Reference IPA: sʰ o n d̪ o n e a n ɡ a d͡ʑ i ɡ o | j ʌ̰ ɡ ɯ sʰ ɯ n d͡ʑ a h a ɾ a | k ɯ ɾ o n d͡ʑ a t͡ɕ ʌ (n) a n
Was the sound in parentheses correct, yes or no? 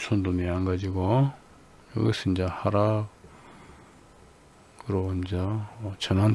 yes